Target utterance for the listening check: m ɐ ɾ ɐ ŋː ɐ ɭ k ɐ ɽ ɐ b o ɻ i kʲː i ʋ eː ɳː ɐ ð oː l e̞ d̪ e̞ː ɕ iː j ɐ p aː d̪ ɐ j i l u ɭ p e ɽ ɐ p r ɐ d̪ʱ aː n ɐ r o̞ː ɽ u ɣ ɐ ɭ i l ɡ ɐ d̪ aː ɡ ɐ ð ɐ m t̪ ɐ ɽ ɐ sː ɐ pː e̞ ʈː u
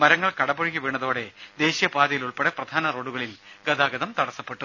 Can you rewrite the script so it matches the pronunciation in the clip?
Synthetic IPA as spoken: m ɐ ɾ ɐ ŋː ɐ ɭ k ɐ ɽ ɐ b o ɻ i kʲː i ʋ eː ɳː ɐ ð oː ɽ e̞ d̪ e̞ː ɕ i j ɐ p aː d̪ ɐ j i l u ɭ p e ɽ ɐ p r ɐ d̪ʱ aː n ɐ r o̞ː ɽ u ɣ ɐ ɭ i l ɡ ɐ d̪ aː ɡ ɐ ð ɐ m t̪ ɐ ɽ ɐ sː ɐ pː e̞ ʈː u